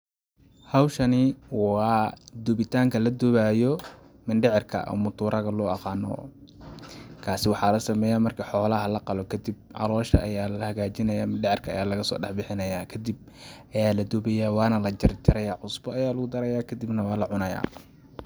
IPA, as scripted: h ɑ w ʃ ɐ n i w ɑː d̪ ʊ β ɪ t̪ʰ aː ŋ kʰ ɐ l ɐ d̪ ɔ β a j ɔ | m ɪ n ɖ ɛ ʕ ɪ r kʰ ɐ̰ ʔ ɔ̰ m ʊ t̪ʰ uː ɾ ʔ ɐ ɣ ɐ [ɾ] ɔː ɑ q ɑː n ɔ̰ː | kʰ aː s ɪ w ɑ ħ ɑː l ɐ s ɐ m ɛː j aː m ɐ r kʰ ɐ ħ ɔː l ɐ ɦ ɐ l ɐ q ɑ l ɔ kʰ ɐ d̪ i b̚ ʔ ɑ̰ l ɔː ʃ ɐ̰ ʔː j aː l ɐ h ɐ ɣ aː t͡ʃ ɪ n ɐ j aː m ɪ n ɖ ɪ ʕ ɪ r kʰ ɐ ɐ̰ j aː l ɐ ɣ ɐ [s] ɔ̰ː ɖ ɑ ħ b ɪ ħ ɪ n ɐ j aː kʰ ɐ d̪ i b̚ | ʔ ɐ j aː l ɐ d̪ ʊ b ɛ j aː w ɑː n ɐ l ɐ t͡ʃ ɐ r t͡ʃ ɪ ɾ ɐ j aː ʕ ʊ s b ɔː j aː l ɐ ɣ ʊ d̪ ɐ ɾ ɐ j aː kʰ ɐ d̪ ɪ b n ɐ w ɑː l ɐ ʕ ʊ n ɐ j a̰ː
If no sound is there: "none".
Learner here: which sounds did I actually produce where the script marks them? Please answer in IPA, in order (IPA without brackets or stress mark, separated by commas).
l, s